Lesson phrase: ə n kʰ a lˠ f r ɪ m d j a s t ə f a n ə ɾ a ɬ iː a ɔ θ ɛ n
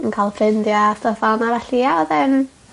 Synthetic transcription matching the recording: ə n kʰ a lˠ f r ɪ n d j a s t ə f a n a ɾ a ɬ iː a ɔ ð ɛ n